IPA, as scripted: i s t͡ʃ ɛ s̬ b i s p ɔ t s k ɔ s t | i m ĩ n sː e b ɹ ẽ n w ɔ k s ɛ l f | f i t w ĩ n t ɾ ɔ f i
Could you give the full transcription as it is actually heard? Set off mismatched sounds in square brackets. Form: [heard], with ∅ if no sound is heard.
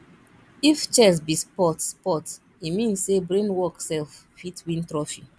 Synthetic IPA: i [f] t͡ʃ ɛ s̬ b i s p ɔ t s [p] ɔ [∅] t | i m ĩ n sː e b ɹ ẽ n w ɔ k s ɛ l f | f i t w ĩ n t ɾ ɔ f i